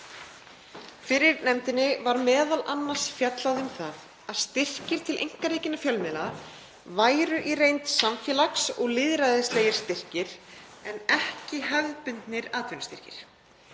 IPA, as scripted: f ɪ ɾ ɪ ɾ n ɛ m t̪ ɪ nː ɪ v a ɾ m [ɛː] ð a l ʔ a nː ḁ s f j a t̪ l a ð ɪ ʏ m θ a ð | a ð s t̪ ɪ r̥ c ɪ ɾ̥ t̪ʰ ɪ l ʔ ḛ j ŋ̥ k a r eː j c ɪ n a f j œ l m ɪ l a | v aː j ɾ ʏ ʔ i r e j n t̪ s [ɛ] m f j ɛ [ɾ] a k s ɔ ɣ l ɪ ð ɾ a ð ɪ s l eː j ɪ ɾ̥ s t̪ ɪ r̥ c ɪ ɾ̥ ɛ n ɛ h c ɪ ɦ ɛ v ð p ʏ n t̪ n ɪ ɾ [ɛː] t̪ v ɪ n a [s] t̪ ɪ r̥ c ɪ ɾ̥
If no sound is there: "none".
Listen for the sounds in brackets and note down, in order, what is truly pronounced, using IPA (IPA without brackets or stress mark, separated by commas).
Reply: ɛː, a, l, aː, s